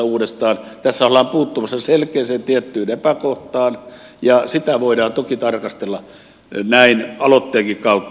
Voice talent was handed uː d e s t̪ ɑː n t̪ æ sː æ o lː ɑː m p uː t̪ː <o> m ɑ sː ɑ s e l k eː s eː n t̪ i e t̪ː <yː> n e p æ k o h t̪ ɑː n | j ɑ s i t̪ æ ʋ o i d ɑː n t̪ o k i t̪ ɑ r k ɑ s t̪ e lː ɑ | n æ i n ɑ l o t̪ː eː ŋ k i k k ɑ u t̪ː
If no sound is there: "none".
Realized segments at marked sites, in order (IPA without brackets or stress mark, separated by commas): u, yː